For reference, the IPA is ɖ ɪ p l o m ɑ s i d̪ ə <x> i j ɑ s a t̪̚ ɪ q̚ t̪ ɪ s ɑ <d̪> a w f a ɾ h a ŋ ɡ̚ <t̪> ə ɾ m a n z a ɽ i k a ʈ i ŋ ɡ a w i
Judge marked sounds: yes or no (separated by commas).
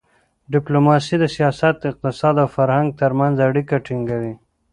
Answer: no, yes, yes